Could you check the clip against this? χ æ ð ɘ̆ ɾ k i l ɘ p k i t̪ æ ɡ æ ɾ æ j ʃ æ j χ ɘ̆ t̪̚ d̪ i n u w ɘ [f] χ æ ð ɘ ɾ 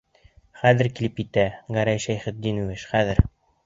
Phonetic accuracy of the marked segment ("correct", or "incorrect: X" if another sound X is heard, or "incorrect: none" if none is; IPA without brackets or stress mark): incorrect: ʃ